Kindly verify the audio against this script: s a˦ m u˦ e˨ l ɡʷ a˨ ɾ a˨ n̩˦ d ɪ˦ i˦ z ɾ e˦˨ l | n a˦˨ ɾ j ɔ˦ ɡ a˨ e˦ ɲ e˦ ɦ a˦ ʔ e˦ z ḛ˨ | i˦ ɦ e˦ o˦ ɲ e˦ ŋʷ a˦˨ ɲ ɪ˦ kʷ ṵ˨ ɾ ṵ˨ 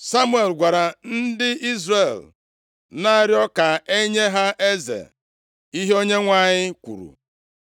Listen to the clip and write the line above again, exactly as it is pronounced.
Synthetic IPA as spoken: s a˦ m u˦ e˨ l ɡʷ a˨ ɾ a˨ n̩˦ d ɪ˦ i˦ z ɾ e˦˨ l | n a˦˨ ɾ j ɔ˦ k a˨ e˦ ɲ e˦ ɦ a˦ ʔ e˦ z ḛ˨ | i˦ ɦ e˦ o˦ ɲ e˦ ŋʷ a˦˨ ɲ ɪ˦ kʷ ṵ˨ ɾ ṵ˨